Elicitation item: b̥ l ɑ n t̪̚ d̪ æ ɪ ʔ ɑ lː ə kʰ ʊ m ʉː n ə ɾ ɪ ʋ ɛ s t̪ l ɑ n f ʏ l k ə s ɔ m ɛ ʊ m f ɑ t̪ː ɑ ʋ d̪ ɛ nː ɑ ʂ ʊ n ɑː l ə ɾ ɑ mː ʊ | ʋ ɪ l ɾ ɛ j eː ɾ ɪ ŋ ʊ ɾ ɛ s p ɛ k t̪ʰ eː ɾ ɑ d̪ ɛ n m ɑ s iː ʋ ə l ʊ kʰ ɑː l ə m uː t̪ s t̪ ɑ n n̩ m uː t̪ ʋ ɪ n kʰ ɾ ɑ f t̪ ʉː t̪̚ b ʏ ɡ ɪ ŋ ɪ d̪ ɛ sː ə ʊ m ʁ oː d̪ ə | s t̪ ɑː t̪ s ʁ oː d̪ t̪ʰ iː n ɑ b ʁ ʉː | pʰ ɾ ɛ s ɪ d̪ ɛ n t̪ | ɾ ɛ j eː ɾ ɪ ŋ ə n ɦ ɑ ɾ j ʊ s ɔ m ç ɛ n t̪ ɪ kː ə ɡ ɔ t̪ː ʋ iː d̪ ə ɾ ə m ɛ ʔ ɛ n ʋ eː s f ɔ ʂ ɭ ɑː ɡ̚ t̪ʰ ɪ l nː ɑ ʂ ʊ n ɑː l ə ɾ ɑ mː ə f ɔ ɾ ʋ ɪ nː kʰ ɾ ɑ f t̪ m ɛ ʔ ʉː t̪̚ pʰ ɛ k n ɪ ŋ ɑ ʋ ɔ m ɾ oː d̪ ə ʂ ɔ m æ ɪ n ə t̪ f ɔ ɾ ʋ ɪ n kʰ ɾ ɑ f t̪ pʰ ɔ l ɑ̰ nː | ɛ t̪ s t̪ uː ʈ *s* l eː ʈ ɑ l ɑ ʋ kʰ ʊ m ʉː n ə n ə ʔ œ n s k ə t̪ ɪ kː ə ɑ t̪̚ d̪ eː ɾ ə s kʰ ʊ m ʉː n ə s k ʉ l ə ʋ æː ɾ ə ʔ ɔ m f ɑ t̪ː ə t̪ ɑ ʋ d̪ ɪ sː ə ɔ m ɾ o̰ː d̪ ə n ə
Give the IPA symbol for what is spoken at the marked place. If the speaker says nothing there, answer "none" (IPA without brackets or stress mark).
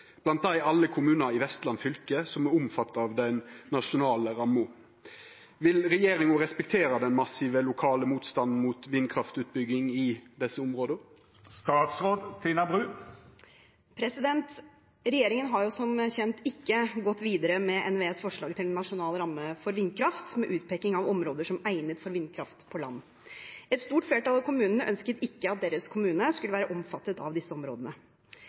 f